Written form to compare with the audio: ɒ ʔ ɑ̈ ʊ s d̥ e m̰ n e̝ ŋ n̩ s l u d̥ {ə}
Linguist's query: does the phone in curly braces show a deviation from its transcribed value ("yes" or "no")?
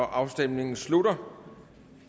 yes